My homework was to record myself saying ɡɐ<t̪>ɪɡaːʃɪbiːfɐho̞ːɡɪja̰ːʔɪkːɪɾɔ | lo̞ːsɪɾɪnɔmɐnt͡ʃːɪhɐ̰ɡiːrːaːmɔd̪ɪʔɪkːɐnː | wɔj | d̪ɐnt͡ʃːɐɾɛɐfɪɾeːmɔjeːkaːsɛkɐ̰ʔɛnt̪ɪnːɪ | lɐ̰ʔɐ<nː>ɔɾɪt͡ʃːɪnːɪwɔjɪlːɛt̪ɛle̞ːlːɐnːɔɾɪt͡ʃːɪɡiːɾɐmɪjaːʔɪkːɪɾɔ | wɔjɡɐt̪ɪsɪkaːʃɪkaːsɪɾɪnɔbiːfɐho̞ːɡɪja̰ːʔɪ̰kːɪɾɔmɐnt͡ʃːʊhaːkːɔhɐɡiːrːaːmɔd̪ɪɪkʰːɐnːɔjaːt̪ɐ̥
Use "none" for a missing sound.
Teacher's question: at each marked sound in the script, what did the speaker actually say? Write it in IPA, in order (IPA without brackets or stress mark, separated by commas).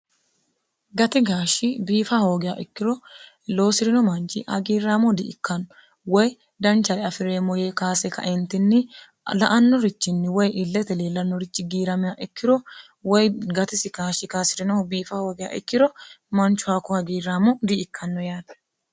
t̪, nː